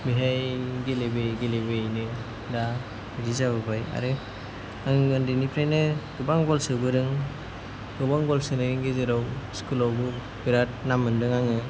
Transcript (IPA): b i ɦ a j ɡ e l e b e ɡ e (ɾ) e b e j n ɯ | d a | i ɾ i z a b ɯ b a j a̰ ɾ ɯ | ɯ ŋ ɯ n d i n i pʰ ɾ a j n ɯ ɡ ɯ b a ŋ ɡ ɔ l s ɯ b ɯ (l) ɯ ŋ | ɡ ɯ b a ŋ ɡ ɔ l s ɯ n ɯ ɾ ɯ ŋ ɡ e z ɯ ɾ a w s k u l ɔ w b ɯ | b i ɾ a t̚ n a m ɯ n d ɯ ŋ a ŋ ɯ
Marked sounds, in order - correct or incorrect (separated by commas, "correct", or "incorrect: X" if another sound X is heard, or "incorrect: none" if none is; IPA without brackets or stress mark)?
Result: incorrect: l, incorrect: ɾ